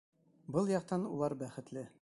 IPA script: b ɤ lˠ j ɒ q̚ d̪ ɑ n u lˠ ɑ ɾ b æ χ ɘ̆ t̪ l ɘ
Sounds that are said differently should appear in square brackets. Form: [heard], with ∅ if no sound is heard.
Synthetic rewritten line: b ɤ lˠ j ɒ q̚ [t̪] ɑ n u lˠ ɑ ɾ b æ χ ɘ̆ t̪ l ɘ